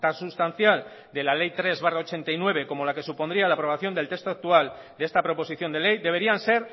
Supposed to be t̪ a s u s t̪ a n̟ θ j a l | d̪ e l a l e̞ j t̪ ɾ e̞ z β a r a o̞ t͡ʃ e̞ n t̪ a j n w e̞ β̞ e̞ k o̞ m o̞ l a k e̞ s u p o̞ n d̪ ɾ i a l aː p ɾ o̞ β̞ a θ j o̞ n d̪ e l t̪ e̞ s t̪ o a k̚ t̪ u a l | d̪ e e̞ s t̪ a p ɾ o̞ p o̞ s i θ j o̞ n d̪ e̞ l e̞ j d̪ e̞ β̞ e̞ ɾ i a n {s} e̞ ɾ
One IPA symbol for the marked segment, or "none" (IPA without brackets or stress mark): s